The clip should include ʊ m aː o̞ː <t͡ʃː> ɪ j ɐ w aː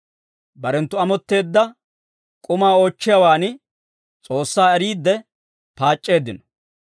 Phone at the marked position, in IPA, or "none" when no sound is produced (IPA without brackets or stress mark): t͡ʃː